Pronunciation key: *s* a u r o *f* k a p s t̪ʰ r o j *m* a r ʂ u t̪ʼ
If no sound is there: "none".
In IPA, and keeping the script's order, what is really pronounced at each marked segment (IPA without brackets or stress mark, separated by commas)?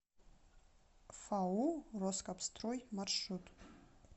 f, s, m